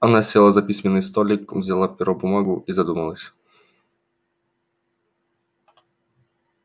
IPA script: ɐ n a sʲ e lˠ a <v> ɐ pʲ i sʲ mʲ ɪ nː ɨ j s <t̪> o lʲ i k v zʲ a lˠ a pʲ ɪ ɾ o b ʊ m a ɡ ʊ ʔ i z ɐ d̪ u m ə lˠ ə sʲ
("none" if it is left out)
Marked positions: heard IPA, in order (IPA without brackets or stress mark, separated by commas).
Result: z, t̪